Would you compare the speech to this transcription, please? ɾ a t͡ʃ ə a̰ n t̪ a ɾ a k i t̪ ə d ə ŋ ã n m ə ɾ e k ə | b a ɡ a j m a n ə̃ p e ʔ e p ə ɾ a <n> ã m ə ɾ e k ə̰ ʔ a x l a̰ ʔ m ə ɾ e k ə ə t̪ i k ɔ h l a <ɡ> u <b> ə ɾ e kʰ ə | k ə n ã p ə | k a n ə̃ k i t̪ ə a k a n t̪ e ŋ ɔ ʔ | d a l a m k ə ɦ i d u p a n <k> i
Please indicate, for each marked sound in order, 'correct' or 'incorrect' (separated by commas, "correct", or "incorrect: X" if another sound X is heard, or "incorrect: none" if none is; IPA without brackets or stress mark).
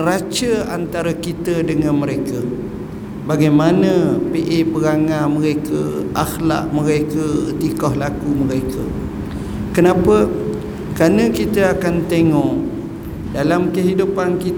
incorrect: ŋ, incorrect: k, incorrect: m, correct